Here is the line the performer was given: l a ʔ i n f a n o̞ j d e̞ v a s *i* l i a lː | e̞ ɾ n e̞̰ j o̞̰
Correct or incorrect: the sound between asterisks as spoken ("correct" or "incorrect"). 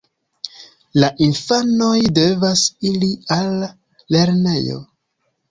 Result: correct